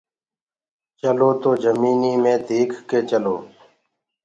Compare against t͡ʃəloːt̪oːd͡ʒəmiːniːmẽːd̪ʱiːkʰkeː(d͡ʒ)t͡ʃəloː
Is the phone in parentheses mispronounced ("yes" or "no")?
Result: yes